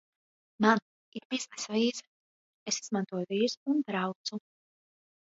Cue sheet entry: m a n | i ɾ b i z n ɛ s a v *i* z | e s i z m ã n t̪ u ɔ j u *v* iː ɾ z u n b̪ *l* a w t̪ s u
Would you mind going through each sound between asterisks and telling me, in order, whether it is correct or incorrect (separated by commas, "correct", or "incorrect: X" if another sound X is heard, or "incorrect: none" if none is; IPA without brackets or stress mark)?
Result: incorrect: iː, correct, incorrect: ɾ